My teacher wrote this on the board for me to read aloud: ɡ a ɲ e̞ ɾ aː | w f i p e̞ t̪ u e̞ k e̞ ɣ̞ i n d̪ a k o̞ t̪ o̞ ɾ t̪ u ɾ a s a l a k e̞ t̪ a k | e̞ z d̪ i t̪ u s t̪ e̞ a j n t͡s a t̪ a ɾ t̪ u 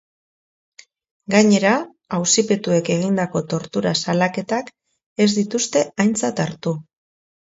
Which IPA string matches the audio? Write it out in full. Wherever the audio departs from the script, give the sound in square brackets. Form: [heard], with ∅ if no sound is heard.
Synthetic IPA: ɡ a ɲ e̞ ɾ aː | w [s] i p e̞ t̪ u e̞ k e̞ ɣ̞ i n d̪ a k o̞ t̪ o̞ ɾ t̪ u ɾ a s a l a k e̞ t̪ a k | e̞ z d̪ i t̪ u s t̪ e̞ a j n t͡s a t̪ a ɾ t̪ u